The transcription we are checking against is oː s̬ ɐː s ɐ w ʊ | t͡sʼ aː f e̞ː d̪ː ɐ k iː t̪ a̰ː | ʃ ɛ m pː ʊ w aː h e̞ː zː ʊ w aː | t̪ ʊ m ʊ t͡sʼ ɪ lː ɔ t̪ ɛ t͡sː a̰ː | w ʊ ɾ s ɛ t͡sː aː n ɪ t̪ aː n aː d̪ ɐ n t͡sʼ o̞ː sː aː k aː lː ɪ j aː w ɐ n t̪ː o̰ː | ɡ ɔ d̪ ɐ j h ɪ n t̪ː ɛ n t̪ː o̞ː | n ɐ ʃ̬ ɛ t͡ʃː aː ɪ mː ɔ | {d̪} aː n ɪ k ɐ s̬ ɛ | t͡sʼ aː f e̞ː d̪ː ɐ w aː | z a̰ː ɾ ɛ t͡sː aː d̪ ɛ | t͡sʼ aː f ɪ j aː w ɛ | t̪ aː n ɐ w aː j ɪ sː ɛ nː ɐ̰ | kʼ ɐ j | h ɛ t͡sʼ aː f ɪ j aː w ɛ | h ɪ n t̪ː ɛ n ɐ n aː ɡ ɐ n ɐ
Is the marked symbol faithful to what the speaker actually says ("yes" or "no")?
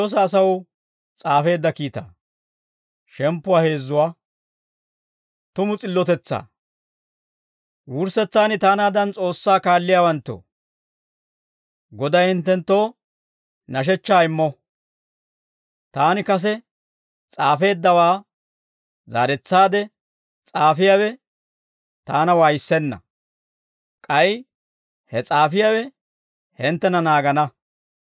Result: no